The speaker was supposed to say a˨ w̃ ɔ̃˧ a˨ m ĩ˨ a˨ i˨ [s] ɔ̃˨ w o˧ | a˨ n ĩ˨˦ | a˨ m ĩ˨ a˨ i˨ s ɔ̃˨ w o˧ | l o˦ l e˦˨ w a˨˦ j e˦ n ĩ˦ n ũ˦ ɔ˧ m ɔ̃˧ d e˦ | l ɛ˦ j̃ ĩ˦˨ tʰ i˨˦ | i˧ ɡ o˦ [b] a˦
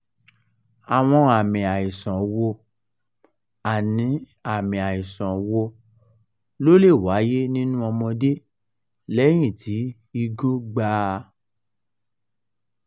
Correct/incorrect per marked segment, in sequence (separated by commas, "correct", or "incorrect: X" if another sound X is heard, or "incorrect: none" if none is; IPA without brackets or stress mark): correct, incorrect: ɡ͡b